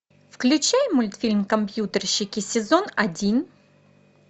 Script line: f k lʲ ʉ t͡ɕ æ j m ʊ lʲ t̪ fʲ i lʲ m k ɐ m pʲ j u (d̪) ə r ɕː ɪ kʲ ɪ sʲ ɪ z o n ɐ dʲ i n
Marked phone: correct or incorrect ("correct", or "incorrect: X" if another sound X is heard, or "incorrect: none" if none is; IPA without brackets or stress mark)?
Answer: incorrect: t̪